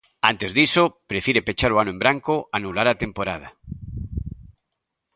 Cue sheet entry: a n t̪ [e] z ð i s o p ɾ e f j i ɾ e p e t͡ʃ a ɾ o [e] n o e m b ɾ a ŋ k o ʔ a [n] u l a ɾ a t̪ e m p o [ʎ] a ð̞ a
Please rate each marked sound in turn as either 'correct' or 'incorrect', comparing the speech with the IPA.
correct, incorrect, correct, incorrect

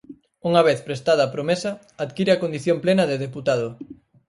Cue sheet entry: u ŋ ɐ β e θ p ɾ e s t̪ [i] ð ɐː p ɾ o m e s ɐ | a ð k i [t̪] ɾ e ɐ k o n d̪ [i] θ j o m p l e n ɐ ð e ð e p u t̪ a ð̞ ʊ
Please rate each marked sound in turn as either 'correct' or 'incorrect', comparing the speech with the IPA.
incorrect, incorrect, correct

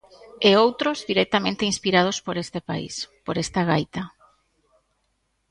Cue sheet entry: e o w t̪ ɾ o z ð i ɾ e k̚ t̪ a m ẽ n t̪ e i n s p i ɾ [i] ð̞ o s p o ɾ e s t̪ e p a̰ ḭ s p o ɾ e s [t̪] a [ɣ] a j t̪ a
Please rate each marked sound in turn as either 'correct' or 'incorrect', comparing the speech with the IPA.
incorrect, correct, correct

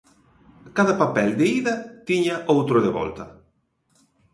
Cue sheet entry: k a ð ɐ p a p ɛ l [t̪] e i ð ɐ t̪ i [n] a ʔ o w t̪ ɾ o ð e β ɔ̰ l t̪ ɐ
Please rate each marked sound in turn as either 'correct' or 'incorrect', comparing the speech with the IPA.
incorrect, incorrect

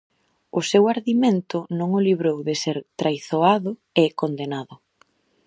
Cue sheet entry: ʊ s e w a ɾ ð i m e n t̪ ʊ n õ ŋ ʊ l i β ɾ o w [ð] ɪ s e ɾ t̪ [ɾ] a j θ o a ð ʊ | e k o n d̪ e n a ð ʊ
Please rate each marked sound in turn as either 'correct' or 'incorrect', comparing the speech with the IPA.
correct, correct

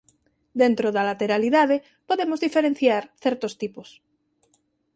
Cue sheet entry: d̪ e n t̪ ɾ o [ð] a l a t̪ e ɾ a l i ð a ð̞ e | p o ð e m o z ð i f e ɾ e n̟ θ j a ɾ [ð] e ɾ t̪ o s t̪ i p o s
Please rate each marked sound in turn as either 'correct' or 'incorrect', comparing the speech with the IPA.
correct, incorrect

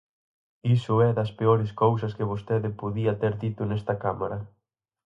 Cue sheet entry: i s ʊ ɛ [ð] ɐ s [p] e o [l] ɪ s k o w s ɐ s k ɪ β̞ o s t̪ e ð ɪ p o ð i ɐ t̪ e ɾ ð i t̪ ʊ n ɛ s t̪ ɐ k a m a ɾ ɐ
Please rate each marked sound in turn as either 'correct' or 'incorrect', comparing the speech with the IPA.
correct, correct, incorrect

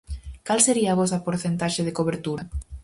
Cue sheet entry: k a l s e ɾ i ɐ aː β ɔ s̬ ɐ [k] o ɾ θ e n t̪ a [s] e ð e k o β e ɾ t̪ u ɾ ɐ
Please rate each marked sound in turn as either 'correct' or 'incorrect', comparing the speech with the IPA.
incorrect, incorrect

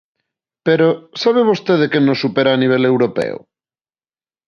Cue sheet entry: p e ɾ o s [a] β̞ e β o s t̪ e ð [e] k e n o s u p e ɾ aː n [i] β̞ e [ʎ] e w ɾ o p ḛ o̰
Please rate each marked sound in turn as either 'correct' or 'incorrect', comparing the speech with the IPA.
correct, correct, correct, incorrect

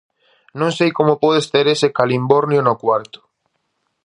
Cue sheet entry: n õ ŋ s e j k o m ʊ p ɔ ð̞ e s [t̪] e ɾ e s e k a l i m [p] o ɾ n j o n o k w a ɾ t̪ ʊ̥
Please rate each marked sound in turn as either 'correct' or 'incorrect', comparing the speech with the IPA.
correct, incorrect

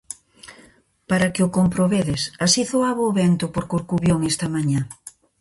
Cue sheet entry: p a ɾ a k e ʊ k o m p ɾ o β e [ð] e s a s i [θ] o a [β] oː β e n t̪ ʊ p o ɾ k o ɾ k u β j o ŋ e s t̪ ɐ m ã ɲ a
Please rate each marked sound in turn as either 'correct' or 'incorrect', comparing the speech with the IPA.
correct, correct, correct

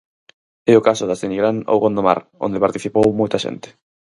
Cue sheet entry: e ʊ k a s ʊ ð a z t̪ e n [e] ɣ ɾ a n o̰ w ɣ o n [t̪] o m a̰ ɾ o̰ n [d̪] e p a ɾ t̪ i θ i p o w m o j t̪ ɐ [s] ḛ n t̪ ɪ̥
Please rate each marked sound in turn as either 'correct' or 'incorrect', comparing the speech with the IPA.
incorrect, incorrect, correct, incorrect

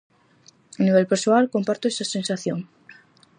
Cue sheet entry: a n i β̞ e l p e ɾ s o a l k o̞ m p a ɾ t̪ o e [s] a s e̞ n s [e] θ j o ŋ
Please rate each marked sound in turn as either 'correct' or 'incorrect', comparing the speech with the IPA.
correct, incorrect

